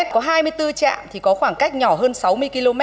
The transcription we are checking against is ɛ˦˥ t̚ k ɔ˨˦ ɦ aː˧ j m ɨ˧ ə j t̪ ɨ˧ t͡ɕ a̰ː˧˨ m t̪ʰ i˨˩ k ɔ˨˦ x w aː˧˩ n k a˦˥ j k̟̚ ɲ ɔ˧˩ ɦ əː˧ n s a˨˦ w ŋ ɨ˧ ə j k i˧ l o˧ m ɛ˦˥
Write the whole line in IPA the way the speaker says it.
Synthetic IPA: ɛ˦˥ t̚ k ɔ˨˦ ɦ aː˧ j m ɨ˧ ə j t̪ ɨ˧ t͡ɕ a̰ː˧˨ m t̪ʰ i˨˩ k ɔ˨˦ x w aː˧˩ ŋ k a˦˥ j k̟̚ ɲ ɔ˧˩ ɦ əː˧ n s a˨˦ w m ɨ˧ ə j k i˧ l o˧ m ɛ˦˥